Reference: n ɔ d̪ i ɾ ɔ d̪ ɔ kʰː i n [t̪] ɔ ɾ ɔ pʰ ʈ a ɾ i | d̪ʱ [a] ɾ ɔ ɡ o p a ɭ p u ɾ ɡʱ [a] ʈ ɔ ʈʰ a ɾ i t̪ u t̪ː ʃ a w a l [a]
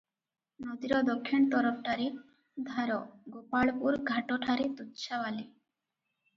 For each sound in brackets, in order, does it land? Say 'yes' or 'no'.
yes, yes, yes, no

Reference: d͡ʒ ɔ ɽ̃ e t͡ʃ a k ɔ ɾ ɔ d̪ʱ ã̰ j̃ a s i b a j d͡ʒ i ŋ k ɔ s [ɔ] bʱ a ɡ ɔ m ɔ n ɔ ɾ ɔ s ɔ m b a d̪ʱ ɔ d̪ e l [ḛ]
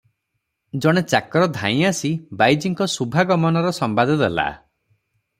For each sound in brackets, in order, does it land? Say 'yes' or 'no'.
no, no

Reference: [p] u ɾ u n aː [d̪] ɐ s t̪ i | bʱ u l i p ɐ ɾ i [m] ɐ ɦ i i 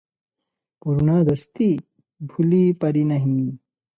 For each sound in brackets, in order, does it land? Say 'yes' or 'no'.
yes, yes, no

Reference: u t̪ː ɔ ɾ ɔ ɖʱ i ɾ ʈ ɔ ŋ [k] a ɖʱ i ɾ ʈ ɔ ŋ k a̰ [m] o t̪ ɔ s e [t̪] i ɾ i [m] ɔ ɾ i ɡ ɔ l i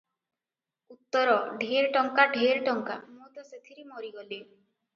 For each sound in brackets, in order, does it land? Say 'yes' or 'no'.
yes, yes, no, yes

